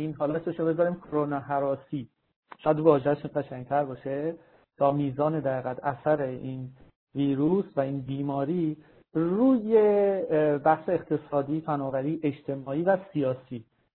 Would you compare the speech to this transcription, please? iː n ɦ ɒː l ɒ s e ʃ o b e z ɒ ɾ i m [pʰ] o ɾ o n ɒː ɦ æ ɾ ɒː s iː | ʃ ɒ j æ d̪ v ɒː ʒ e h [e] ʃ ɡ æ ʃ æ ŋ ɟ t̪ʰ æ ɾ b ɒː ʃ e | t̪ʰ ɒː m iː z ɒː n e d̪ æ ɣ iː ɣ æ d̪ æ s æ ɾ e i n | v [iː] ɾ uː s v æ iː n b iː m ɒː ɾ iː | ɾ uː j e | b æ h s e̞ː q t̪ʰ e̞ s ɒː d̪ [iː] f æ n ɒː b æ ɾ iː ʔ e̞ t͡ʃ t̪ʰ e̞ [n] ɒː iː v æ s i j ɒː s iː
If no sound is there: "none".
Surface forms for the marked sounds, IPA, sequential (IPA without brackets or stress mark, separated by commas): kʰ, æ, iː, iː, m